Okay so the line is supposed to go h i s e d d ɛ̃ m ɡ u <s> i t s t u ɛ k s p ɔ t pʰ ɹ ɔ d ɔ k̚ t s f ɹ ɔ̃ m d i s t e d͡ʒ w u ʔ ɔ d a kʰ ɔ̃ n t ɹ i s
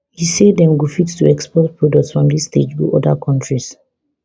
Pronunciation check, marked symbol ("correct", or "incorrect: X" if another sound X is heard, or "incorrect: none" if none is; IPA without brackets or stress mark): incorrect: f